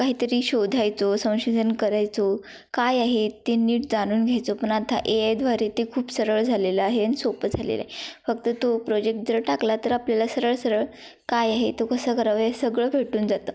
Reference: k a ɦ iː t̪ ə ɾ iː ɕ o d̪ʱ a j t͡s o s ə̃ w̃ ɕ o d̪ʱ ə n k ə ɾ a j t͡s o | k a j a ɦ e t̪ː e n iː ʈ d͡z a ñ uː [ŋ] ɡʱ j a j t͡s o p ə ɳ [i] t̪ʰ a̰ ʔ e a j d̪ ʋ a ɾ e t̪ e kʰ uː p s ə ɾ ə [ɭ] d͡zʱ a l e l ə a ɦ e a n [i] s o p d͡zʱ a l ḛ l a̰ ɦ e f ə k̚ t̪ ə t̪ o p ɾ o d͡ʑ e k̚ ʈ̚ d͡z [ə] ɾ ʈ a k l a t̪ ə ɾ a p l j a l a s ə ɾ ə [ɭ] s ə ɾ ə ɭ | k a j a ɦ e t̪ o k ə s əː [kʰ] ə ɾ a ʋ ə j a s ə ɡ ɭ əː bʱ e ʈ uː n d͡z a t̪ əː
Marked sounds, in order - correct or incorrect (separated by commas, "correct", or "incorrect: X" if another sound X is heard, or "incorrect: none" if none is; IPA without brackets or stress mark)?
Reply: incorrect: n, incorrect: a, correct, correct, correct, correct, incorrect: k